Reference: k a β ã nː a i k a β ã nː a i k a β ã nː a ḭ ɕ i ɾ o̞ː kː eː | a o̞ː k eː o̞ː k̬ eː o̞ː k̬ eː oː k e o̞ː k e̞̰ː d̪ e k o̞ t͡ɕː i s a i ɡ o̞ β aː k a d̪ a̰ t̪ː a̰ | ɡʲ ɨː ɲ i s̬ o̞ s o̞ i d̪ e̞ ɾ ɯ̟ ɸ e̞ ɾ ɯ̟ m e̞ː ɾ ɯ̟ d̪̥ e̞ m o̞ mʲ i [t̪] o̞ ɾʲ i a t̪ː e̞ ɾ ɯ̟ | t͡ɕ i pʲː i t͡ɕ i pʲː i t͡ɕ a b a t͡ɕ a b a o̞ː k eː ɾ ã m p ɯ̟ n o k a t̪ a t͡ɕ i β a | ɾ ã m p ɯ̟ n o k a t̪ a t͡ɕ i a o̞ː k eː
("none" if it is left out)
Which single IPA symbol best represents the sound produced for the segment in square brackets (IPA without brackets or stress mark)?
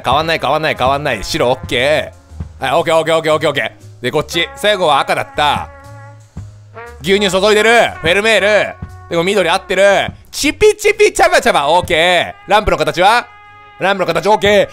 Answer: d̪